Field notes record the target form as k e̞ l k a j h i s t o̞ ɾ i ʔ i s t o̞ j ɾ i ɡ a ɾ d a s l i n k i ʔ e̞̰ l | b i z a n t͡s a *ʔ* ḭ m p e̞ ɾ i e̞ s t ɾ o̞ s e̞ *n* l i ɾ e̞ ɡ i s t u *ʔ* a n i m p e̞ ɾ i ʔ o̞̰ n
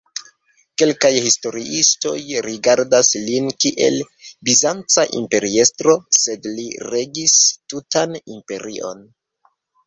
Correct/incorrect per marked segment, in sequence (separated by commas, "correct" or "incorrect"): correct, incorrect, incorrect